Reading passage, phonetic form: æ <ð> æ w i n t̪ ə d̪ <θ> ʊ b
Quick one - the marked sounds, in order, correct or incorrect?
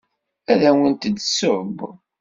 correct, incorrect: s

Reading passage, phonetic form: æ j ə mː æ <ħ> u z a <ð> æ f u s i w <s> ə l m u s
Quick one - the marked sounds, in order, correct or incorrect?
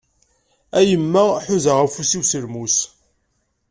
correct, incorrect: ʁ, correct

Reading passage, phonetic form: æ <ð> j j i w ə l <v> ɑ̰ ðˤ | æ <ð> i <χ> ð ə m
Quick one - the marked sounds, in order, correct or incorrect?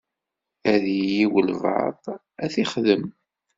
correct, correct, incorrect: θ, correct

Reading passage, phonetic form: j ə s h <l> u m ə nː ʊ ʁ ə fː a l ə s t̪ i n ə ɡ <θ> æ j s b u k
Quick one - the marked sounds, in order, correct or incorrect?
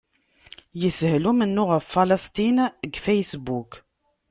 correct, incorrect: f

